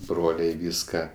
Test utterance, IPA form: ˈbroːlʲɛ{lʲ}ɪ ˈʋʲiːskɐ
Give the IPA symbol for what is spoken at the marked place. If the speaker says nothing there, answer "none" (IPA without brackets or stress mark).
none